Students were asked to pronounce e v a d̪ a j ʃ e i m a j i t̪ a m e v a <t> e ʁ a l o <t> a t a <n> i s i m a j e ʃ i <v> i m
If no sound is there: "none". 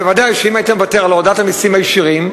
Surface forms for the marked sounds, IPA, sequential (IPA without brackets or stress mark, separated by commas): t, d, m, ʁ